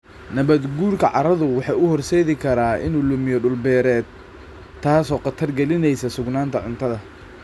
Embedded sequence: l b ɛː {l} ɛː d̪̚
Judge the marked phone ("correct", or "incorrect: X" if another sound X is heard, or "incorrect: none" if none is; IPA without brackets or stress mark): incorrect: ɾ